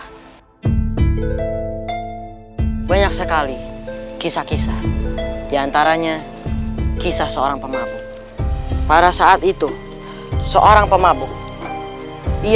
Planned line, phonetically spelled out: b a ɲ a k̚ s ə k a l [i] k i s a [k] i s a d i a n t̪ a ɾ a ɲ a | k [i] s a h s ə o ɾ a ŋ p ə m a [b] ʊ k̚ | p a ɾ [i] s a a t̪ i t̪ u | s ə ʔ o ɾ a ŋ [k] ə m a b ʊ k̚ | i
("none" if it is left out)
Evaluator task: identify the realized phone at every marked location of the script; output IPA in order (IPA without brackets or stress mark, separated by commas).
i, k, i, b, a, p